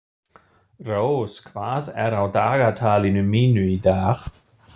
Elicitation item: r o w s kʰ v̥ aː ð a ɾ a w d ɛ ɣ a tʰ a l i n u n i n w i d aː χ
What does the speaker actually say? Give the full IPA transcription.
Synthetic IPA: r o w s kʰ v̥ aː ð ɛ ɾ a w d a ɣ a tʰ a l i n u m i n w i d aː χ

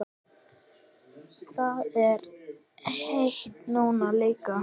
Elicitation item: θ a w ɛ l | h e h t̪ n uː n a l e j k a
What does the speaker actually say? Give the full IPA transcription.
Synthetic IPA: θ a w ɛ ɾ | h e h t̪ n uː n a l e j k a

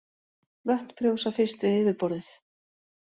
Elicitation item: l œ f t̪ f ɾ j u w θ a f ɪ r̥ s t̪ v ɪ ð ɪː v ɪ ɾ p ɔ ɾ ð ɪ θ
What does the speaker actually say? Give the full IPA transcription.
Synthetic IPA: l œ h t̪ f ɾ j o w s a f ɪ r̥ s t̪ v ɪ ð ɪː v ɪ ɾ p ɔ ɾ ð ɪ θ

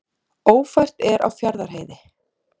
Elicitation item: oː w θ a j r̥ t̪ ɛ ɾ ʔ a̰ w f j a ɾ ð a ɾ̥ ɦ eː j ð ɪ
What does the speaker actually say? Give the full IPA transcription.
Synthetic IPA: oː w f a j r̥ t̪ ɛ ɾ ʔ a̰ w f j a ɾ ð a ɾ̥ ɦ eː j ð ɪ

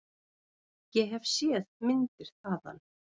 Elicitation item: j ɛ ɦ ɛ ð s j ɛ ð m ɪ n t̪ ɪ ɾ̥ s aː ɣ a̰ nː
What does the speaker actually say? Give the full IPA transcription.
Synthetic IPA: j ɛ ɦ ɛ v s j ɛ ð m ɪ n t̪ ɪ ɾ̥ θ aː ð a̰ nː

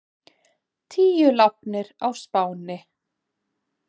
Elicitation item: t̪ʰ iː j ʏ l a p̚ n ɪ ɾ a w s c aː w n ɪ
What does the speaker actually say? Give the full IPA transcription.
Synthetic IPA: t̪ʰ iː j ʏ l a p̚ n ɪ ɾ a w s p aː w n ɪ

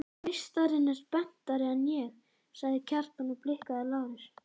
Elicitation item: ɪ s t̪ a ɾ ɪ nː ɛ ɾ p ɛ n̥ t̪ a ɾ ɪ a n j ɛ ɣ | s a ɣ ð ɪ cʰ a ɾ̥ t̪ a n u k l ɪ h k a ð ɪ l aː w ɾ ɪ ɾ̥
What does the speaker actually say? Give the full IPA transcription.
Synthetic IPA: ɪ s t̪ a ɾ ɪ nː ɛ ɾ p ɛ n̥ t̪ a ɾ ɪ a n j ɛ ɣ | s a ɣ ð ɪ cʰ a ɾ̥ t̪ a n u p l ɪ h k a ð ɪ l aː w ɾ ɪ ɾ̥

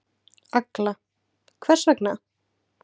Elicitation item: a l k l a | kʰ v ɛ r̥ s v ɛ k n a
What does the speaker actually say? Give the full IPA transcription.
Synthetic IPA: a k l a | kʰ v ɛ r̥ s v ɛ k n a

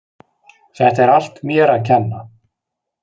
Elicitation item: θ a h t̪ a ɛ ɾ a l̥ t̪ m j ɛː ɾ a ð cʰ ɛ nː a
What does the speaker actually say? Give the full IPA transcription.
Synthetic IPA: θ ɛ h t̪ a ɛ ɾ a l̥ t̪ m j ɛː ɾ a ð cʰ ɛ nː a

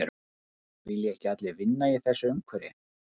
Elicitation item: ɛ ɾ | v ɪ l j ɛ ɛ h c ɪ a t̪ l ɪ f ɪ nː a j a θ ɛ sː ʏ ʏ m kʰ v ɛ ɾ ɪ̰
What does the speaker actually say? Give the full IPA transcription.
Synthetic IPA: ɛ ɾ | v ɪ l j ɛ ɛ h c ɪ a t̪ l ɪ v ɪ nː a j ɛ θ ɛ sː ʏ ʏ m kʰ v ɛ ɾ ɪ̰

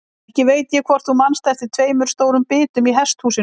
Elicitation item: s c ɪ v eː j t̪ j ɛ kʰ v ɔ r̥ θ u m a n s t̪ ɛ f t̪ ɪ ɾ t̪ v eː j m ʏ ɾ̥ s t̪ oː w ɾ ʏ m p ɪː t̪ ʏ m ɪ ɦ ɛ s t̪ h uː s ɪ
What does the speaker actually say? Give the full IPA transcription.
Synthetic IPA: h c ɪ v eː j t̪ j ɛ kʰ v ɔ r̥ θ u m a n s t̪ ɛ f t̪ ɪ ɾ t̪ʰ v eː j m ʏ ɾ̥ s t̪ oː w ɾ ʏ m p ɪː t̪ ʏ m i ɦ ɛ s t̪ h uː s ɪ

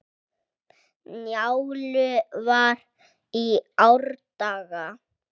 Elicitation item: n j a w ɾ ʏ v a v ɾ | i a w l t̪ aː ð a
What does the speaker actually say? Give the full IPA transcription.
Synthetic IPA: n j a w l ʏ v a ɾ | i a w ɾ t̪ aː ɣ a

